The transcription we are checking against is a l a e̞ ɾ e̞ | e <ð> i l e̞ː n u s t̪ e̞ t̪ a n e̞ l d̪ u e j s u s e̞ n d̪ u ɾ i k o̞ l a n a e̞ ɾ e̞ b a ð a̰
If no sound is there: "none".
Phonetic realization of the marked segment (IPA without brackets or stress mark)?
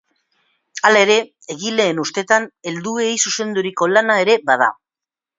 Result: ɣ